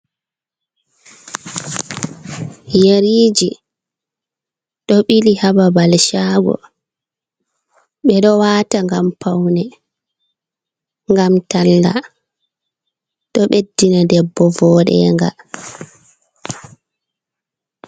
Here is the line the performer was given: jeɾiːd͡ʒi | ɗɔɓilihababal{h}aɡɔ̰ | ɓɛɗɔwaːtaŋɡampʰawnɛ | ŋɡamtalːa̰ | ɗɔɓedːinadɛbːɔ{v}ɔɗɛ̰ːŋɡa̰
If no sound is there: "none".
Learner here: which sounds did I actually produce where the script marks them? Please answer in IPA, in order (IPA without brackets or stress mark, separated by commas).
ʃ, v